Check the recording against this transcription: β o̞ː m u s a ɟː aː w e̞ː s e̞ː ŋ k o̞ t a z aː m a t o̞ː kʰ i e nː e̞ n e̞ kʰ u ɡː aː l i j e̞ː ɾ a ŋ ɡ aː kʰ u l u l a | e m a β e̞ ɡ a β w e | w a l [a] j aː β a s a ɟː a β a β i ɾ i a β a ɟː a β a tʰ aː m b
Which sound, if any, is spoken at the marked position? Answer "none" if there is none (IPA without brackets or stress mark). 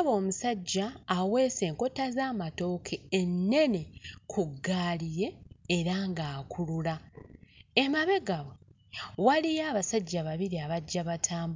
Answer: i